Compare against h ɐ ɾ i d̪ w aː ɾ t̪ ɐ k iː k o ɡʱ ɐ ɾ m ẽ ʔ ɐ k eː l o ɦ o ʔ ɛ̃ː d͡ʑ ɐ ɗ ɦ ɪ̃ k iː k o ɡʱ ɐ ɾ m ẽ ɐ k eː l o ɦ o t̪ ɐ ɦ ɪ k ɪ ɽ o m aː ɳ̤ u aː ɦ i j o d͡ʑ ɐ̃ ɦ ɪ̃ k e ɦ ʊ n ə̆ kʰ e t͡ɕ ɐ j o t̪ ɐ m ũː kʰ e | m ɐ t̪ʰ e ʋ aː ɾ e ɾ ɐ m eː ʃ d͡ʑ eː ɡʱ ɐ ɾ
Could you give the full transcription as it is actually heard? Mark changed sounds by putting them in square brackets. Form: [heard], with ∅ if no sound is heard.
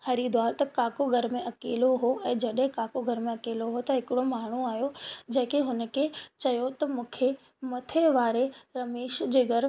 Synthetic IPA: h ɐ ɾ i d̪ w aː ɾ t̪ ɐ k [aː] k o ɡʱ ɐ ɾ m ẽ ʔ ɐ k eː l o ɦ o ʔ ɛ̃ː d͡ʑ ɐ ɗ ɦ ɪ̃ k [aː] k o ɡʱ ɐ ɾ m ẽ ɐ k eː l o ɦ o t̪ ɐ ɦ ɪ k ɪ ɽ o m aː ɳ̤ u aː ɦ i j o d͡ʑ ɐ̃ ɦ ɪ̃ k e ɦ ʊ n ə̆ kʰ e t͡ɕ ɐ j o t̪ ɐ m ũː kʰ e | m ɐ t̪ʰ e ʋ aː ɾ e ɾ ɐ m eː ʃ d͡ʑ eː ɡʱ ɐ ɾ

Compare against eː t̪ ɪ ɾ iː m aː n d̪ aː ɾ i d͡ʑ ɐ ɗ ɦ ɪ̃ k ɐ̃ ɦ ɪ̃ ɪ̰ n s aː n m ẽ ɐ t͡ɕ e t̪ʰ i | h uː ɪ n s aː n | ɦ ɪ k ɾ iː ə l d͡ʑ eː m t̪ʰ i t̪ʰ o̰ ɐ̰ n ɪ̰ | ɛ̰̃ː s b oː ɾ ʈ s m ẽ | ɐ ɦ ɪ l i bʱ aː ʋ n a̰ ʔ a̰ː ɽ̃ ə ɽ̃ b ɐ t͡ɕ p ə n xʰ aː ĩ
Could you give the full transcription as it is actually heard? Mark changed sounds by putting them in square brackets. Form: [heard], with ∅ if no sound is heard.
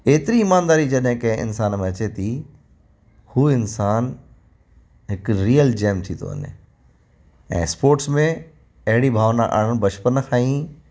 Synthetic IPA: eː t̪ ɪ ɾ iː m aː n d̪ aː ɾ i d͡ʑ ɐ ɗ ɦ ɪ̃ k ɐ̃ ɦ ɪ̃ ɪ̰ n s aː n m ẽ ɐ t͡ɕ e t̪ʰ i | h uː ɪ n s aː n | ɦ ɪ k ɾ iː ə l d͡ʑ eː m t̪ʰ i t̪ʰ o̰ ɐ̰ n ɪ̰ | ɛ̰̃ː s [p] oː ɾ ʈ s m ẽ | ɐ ɦ ɪ [ɽ] i bʱ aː ʋ n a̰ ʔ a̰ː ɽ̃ ə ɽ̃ b ɐ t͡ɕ p ə n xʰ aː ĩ

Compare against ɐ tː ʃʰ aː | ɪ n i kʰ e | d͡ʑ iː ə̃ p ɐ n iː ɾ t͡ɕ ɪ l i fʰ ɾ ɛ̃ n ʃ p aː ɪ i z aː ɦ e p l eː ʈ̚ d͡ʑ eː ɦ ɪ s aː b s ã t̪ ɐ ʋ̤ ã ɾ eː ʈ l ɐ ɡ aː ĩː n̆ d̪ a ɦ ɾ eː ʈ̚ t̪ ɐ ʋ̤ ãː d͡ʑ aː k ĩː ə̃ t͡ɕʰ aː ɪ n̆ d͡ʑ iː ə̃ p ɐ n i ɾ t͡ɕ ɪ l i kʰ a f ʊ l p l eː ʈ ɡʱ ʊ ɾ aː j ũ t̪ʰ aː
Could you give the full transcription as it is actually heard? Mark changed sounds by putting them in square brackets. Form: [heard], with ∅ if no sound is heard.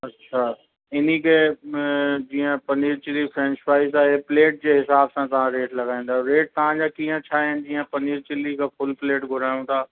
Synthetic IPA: ɐ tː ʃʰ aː | ɪ n i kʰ e | d͡ʑ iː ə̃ p ɐ n iː ɾ t͡ɕ ɪ l i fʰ ɾ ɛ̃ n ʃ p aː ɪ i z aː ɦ e p l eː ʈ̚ d͡ʑ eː ɦ ɪ s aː b s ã t̪ ɐ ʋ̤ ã ɾ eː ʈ l ɐ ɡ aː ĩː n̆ d̪ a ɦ ɾ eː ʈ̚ t̪ ɐ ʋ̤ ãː d͡ʑ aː k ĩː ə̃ t͡ɕʰ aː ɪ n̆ d͡ʑ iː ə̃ p ɐ n [iː] ɾ t͡ɕ ɪ l i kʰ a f ʊ l p l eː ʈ ɡʱ ʊ ɾ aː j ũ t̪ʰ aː

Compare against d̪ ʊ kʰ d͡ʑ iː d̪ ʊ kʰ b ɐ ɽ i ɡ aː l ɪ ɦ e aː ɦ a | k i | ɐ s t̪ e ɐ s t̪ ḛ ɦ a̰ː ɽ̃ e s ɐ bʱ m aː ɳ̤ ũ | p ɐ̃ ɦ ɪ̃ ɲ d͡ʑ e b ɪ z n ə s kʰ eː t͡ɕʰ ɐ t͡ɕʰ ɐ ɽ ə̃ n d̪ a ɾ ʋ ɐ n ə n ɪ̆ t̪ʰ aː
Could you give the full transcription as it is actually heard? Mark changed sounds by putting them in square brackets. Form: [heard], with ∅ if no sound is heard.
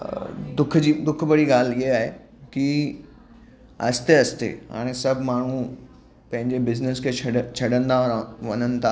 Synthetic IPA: d̪ ʊ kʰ d͡ʑ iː d̪ ʊ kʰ b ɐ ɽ i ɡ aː l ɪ ɦ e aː ɦ [e] | k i | ɐ s t̪ e ɐ s t̪ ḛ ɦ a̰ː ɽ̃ e s ɐ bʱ m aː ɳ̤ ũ | p ɐ̃ ɦ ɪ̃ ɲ d͡ʑ e b ɪ z n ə s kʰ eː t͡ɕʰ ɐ t͡ɕʰ ɐ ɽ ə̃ n d̪ a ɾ ʋ ɐ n ə n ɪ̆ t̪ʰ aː

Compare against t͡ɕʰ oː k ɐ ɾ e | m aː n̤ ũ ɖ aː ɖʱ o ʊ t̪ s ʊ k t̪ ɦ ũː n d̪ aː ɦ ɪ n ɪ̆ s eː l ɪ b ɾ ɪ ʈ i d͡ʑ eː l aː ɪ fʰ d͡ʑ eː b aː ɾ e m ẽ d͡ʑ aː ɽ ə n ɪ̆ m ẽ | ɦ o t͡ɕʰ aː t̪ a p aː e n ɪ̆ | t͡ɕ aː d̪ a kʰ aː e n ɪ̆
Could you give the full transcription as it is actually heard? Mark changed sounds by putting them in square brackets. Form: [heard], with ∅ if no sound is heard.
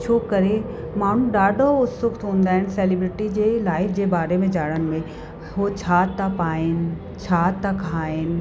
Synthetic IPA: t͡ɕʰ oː k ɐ ɾ e | m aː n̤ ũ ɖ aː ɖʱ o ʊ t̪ s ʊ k t̪ ɦ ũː n d̪ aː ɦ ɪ n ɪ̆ s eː l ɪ b ɾ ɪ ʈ i d͡ʑ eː l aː ɪ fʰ d͡ʑ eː b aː ɾ e m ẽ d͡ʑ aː ɽ ə n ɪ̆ m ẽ | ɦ o t͡ɕʰ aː t̪ a p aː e n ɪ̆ | [t͡ɕʰ] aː [t̪] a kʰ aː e n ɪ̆

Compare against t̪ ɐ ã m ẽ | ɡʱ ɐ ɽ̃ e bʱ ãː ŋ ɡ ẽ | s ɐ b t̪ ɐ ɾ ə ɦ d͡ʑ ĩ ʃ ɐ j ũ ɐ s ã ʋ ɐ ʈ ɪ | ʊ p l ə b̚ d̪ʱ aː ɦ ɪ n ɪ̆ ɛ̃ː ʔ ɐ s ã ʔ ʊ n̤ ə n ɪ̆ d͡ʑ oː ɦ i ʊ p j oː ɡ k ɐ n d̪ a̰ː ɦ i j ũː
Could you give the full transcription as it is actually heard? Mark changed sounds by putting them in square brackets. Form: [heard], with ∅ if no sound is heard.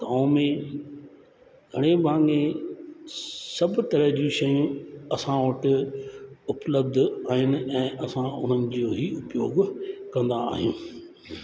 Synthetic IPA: t̪ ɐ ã m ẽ | ɡʱ ɐ ɽ̃ e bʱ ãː ŋ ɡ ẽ | s ɐ b t̪ ɐ ɾ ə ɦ d͡ʑ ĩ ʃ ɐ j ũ ɐ s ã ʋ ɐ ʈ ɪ | ʊ p l ə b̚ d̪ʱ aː ɦ ɪ n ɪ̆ ɛ̃ː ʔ ɐ s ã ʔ ʊ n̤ ə n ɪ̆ d͡ʑ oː ɦ i ʊ p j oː ɡ k [ɐ̃] n d̪ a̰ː ɦ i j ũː

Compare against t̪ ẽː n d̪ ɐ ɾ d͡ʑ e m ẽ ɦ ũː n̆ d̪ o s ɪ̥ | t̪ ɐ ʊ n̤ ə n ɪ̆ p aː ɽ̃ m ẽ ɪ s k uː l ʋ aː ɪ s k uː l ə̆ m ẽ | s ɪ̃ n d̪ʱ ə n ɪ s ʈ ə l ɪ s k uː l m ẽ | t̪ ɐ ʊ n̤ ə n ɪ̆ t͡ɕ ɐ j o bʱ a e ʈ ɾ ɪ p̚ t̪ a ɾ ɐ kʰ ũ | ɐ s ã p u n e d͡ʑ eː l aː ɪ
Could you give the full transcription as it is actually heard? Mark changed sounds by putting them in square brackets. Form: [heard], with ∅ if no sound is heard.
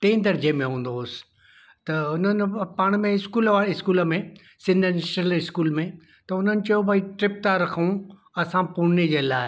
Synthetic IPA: t̪ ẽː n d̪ ɐ ɾ d͡ʑ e m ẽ ɦ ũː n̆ d̪ o s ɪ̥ | t̪ ɐ ʊ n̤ ə n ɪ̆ p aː ɽ̃ m ẽ ɪ s k uː l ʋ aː ɪ s k uː l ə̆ m ẽ | s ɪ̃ n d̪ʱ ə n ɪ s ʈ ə l ɪ s k uː l m ẽ | t̪ ɐ ʊ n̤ ə n ɪ̆ t͡ɕ ɐ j o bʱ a [i] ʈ ɾ ɪ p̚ t̪ a ɾ ɐ kʰ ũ | ɐ s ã p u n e d͡ʑ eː l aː ɪ

